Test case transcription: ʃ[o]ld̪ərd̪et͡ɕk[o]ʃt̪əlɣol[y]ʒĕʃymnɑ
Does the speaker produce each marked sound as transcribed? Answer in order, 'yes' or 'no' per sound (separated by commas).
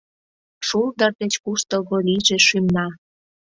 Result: no, no, no